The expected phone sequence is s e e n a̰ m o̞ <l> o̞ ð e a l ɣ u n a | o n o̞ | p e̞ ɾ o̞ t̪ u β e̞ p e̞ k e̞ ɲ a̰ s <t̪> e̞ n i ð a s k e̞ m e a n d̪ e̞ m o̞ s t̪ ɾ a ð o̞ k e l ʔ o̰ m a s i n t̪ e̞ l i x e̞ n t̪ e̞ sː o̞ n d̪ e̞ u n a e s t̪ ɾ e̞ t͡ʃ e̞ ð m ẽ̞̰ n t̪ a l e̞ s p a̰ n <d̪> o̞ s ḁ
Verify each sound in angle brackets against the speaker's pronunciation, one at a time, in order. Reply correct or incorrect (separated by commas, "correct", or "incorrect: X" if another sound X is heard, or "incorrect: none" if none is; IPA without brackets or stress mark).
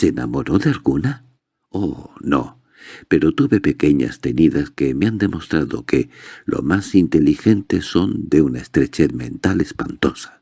incorrect: ɾ, correct, incorrect: t̪